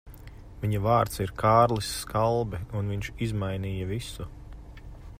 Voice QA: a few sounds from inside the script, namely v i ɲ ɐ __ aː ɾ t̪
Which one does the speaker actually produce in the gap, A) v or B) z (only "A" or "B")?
A